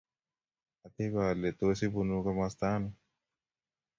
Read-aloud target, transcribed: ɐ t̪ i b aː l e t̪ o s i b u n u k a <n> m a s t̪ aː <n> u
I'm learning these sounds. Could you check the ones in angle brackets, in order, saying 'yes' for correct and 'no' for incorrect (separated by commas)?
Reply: no, yes